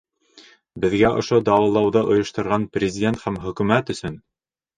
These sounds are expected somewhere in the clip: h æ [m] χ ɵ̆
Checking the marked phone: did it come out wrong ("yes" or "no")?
no